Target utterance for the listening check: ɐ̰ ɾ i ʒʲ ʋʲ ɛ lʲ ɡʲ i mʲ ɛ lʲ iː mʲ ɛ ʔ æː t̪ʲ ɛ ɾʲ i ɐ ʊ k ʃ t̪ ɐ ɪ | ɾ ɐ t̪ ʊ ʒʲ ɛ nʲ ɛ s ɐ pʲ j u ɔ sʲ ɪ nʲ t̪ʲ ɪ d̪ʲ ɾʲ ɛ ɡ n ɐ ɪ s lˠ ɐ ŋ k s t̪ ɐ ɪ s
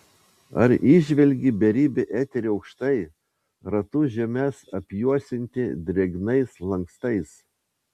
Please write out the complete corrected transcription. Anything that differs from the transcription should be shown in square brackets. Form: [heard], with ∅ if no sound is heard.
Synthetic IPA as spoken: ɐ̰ ɾ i ʒʲ ʋʲ ɛ lʲ ɡʲ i [bʲ] ɛ [ɾʲ] iː [bʲ] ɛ ʔ æː t̪ʲ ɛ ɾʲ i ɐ ʊ k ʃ t̪ ɐ ɪ | ɾ ɐ t̪ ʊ ʒʲ ɛ [mʲ] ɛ s ɐ pʲ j u ɔ sʲ ɪ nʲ t̪ʲ ɪ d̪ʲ ɾʲ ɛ ɡ n ɐ ɪ s lˠ ɐ ŋ k s t̪ ɐ ɪ s